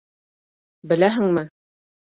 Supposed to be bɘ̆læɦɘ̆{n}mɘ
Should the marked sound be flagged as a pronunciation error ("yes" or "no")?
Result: yes